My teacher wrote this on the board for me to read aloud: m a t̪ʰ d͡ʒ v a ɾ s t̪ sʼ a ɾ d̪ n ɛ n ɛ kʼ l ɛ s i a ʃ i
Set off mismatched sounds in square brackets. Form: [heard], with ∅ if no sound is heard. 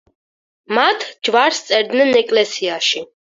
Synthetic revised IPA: m a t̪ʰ d͡ʒ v a ɾ s t̪ sʼ [ɛ] ɾ d̪ n ɛ n ɛ kʼ l ɛ s i a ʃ i